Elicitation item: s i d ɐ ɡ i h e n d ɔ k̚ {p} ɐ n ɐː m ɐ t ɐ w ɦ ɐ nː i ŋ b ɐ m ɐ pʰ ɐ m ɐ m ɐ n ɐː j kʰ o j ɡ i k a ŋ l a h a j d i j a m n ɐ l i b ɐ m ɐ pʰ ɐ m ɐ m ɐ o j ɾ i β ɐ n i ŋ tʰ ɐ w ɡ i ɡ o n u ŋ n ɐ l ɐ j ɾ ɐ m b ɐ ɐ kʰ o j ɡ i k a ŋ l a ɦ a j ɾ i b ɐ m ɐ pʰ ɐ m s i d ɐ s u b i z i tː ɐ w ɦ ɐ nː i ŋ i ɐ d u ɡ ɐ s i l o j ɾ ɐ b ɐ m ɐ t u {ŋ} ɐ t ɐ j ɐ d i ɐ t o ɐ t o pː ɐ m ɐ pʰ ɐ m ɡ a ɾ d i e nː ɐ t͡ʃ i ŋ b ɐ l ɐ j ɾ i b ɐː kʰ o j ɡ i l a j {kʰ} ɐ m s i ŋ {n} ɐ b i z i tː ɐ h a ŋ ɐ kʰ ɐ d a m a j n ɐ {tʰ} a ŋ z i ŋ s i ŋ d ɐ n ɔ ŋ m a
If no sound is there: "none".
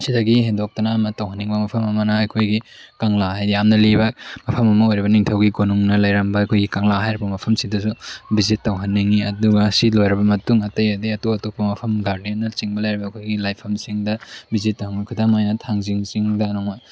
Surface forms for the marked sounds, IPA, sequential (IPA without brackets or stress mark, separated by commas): t, ŋ, pʰ, d, tʰ